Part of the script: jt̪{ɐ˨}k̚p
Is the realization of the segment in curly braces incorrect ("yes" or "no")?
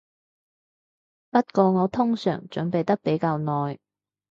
yes